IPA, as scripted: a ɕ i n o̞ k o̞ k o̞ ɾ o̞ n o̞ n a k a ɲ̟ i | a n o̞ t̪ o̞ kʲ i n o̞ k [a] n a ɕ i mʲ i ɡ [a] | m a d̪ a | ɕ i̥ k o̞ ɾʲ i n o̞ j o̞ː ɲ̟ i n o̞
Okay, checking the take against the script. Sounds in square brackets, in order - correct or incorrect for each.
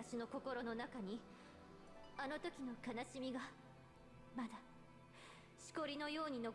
correct, correct

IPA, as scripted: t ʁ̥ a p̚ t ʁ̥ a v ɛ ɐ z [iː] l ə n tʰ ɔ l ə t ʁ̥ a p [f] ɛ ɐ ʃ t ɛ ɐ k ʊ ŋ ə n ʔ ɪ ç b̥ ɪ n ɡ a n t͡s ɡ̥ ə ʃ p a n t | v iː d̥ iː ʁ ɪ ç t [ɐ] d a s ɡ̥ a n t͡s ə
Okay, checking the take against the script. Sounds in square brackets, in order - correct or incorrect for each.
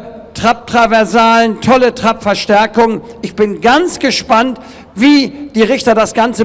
incorrect: aː, correct, correct

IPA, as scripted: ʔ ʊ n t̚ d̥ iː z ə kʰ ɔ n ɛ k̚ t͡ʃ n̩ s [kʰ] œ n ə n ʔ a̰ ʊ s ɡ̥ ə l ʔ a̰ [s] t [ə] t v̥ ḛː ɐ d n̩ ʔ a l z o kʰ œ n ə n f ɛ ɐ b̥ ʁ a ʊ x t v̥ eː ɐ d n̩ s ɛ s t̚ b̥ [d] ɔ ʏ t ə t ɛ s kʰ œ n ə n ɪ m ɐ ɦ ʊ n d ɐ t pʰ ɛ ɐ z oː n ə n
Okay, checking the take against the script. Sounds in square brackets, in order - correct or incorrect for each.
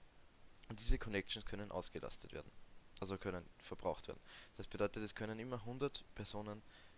correct, correct, correct, correct

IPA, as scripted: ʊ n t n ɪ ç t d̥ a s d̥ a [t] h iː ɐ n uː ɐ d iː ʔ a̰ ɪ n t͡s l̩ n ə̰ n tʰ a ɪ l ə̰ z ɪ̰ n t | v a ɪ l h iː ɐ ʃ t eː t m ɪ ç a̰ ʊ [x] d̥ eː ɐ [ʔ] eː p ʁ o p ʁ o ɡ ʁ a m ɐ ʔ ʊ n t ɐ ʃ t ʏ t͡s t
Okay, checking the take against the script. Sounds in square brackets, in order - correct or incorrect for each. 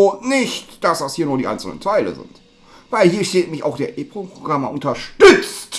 incorrect: s, correct, correct

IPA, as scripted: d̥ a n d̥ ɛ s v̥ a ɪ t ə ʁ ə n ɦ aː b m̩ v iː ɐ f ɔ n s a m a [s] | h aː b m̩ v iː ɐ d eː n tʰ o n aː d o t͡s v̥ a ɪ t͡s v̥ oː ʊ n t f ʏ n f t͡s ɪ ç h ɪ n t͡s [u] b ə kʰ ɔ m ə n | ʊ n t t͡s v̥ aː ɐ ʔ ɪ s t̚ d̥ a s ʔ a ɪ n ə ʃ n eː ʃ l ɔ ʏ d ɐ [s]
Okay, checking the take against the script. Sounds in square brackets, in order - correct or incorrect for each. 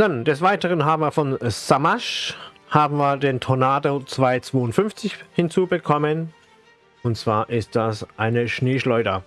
incorrect: ʃ, incorrect: uː, incorrect: none

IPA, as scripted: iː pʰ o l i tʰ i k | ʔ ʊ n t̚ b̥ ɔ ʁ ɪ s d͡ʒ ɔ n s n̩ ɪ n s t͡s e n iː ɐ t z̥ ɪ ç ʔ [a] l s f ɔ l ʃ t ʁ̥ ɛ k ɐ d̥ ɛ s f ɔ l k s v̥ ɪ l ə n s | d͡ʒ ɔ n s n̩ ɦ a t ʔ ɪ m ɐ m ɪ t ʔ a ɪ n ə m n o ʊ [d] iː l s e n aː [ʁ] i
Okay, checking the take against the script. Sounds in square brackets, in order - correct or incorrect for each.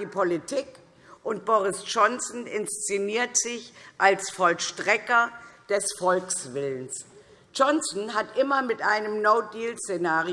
correct, correct, correct

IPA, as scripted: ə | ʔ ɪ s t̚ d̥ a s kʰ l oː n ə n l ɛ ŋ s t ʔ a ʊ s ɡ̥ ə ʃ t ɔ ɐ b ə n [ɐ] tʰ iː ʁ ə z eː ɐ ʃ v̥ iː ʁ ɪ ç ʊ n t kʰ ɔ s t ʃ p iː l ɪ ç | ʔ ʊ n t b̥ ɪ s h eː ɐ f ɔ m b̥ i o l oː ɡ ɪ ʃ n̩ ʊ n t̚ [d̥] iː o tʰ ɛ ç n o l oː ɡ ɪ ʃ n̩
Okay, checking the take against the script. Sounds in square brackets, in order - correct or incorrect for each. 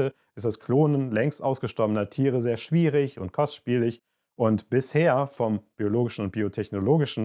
correct, incorrect: b̥

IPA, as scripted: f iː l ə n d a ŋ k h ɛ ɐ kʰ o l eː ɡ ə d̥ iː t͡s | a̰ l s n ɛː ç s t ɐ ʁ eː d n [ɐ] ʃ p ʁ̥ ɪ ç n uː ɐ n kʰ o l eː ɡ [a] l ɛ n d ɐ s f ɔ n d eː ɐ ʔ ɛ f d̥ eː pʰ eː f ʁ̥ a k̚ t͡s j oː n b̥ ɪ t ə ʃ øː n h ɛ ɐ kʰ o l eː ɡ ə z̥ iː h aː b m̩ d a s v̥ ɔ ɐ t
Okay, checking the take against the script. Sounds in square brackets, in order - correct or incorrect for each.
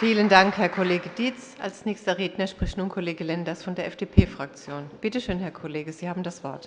correct, incorrect: ə

